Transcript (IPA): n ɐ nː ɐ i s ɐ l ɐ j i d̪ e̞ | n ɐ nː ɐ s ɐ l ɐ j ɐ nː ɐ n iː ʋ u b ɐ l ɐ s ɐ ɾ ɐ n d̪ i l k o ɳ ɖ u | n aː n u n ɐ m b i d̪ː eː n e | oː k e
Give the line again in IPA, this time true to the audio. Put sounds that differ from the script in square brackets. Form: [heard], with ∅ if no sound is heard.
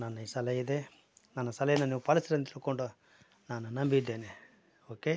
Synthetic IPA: n ɐ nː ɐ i s ɐ l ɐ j i d̪ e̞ | n ɐ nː ɐ s ɐ l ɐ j ɐ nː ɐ n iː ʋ u [p] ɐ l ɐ s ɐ ɾ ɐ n [t̪] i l k o ɳ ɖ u | n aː n u n ɐ m b i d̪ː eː n e | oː k e